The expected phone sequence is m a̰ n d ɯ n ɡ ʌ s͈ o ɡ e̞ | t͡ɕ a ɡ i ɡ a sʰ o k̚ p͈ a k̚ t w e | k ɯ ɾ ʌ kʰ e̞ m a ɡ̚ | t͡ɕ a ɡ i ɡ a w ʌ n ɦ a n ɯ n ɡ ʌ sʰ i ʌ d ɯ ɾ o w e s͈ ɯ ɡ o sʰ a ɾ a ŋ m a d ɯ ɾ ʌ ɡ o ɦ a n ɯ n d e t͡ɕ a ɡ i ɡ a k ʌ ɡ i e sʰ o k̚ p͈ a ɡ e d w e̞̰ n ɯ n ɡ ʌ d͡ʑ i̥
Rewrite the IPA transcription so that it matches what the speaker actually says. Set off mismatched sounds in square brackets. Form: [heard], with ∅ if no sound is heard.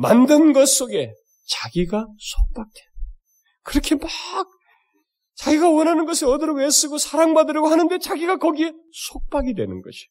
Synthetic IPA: m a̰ n d ɯ n ɡ ʌ s͈ o ɡ e̞ | t͡ɕ a ɡ i ɡ a sʰ o k̚ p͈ a k̚ t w e | k ɯ ɾ ʌ kʰ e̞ m a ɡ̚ | t͡ɕ a ɡ i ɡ a w ʌ n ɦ a n ɯ n ɡ ʌ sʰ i ʌ d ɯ ɾ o w e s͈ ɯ ɡ o sʰ a ɾ a ŋ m a d ɯ ɾ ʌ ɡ o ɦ a n ɯ n d e t͡ɕ a ɡ i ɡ a k ʌ ɡ i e sʰ o k̚ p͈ a ɡ [i] d w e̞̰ n ɯ n ɡ ʌ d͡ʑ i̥